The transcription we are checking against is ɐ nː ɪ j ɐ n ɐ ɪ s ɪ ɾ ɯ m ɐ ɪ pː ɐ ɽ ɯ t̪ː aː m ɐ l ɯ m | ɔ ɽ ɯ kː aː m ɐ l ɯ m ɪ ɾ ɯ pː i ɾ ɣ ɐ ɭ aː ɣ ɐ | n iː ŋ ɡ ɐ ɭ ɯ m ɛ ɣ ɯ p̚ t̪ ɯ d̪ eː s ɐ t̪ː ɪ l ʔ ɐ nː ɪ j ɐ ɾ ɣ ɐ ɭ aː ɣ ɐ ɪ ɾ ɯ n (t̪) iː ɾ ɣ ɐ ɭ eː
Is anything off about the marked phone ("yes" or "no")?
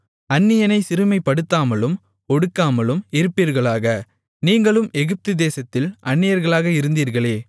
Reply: yes